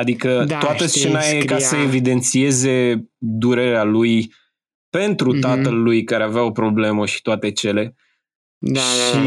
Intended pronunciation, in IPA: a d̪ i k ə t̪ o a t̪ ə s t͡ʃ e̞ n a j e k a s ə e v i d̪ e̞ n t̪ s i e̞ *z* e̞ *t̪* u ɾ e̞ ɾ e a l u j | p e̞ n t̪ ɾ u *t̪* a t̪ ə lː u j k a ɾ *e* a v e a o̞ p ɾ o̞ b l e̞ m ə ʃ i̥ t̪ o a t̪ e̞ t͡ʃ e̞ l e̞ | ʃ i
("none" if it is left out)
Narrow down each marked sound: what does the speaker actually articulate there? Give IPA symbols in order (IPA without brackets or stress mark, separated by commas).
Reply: z, d̪, t̪, e